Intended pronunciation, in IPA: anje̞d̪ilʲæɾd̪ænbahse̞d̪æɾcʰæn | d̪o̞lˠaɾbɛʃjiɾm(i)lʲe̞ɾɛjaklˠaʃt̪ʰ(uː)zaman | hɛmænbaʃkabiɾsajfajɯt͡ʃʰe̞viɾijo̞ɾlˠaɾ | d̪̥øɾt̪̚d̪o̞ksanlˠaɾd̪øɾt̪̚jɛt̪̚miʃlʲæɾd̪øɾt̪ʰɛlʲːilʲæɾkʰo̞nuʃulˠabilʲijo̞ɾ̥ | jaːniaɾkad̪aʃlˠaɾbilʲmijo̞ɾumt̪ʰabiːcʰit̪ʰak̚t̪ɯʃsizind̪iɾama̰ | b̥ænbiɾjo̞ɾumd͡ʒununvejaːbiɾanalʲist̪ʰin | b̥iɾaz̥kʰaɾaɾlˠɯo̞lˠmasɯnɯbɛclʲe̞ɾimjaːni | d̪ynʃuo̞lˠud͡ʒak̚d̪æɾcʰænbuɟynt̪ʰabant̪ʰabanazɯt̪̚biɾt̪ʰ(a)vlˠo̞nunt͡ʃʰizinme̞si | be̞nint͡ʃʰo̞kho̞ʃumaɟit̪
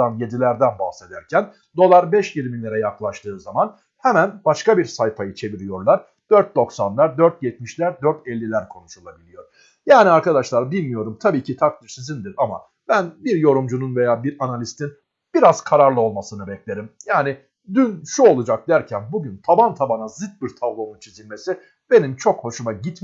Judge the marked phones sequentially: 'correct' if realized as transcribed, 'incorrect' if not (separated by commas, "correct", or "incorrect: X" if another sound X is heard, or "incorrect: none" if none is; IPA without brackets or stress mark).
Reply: correct, incorrect: ɯː, correct